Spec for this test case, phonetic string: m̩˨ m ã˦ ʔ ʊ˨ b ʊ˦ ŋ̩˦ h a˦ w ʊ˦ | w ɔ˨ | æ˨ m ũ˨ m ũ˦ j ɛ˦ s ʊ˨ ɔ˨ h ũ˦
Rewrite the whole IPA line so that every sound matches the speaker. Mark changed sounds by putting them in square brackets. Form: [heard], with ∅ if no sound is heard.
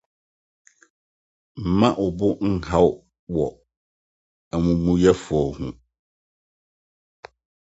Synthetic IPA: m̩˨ m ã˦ ʔ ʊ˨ b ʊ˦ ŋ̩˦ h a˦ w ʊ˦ | w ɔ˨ | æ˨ m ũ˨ m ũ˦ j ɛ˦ [f] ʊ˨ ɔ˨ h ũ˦